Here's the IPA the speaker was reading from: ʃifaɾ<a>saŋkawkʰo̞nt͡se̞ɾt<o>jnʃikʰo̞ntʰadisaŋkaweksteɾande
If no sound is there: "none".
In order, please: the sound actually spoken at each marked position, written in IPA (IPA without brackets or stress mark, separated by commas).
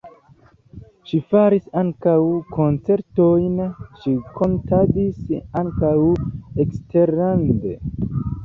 i, o